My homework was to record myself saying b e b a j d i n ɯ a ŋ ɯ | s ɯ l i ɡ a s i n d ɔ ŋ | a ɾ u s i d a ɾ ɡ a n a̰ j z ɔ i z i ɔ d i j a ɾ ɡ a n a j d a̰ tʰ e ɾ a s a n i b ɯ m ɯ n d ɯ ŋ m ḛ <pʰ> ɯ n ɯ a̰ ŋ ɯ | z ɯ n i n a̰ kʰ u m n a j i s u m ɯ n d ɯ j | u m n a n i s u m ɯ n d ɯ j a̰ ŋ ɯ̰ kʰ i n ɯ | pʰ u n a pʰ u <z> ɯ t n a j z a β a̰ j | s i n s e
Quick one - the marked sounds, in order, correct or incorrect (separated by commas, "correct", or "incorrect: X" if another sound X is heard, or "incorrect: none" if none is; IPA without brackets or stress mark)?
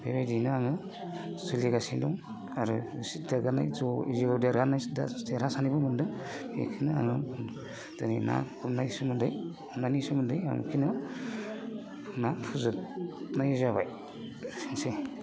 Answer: incorrect: kʰ, correct